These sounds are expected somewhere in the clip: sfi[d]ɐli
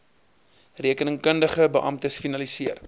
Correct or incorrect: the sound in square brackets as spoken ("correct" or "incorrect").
incorrect